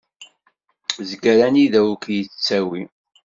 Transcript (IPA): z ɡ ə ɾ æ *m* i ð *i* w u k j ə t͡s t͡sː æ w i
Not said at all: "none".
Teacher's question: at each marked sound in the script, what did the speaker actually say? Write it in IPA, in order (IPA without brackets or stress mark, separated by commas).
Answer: n, æ